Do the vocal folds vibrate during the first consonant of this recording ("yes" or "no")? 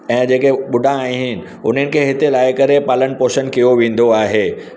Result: yes